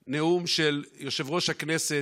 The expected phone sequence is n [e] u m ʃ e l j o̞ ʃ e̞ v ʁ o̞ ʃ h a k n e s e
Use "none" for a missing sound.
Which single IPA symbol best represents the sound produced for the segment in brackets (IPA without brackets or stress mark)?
e